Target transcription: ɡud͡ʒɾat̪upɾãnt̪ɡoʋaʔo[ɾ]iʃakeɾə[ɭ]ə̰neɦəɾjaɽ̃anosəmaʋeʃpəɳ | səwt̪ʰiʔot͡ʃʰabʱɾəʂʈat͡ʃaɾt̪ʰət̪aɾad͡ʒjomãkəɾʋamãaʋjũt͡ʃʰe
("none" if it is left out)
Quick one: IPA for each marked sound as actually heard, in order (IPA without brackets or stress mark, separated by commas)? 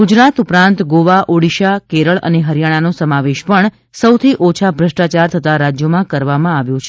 ɽ, ɭ